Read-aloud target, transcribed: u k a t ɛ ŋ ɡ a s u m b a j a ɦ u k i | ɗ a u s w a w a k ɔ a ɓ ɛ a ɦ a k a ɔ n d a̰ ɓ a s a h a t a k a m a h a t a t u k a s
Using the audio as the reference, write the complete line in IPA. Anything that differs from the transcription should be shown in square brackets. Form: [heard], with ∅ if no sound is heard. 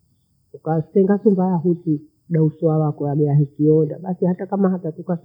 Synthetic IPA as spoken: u k a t ɛ ŋ ɡ a s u m b a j a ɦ u [t] i | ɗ a u s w a w a k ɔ a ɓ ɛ a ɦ [i] k [i] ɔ n d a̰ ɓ a s [i] h a t a k a m a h a t a t u k a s